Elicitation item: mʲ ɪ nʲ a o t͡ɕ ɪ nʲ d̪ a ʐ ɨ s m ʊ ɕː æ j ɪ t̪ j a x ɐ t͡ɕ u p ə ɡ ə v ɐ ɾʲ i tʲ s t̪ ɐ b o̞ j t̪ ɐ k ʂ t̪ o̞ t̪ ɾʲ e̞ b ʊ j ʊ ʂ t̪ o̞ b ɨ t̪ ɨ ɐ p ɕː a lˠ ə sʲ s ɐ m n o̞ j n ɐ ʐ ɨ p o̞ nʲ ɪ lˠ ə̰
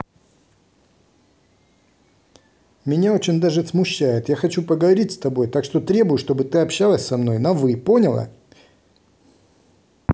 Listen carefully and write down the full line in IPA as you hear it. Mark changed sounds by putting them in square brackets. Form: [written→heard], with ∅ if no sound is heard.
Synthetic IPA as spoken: mʲ ɪ nʲ a o t͡ɕ ɪ nʲ d̪ a ʐ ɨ s m ʊ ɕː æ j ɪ t̪ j a x ɐ t͡ɕ u p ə ɡ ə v ɐ ɾʲ i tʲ s t̪ ɐ b o̞ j t̪ [ɐ→a] k ʂ t̪ o̞ t̪ ɾʲ e̞ b ʊ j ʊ ʂ t̪ o̞ b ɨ t̪ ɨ ɐ p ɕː a lˠ ə sʲ s ɐ m n o̞ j n ɐ [ʐ→v] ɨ p o̞ nʲ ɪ lˠ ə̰